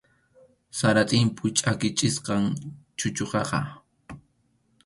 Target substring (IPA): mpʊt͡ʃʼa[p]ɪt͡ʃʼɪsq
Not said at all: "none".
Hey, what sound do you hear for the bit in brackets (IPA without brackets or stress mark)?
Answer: k